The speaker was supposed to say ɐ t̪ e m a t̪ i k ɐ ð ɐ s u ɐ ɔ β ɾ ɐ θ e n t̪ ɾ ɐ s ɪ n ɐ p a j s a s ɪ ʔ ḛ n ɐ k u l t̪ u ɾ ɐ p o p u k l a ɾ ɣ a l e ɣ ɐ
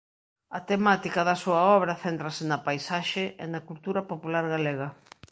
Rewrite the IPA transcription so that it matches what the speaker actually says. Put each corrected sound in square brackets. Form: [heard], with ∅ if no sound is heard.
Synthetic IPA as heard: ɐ t̪ e m a t̪ i k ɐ ð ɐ s u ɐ ɔ β ɾ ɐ θ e n t̪ ɾ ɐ s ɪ n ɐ p a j s a [ʃ] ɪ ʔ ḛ n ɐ k u l t̪ u ɾ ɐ p o p u [∅] l a ɾ ɣ a l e ɣ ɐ